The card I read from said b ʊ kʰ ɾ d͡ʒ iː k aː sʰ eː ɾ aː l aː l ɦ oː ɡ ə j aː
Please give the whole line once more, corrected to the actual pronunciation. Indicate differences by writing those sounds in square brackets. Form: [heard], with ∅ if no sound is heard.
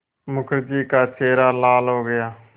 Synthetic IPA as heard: [m] ʊ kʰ ɾ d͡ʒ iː k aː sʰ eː ɾ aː l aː l ɦ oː ɡ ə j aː